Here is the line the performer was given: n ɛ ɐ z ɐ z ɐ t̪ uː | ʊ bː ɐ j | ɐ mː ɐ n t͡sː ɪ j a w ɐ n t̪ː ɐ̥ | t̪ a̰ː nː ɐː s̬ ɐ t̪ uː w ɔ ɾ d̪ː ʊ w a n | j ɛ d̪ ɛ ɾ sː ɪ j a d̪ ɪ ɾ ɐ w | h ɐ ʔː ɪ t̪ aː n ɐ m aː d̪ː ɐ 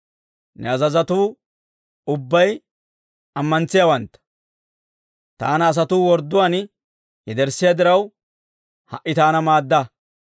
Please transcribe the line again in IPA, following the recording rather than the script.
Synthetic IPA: n ɛ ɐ z ɐ z ɐ t̪ uː | ʊ bː ɐ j | ɐ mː ɐ n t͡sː ɪ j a w ɐ n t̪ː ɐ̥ | t̪ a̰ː n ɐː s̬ ɐ t̪ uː w ɔ ɾ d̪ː ʊ w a n | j ɛ d̪ ɛ ɾ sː ɪ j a d̪ ɪ ɾ ɐ w | h ɐ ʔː ɪ t̪ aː n ɐ m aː d̪ː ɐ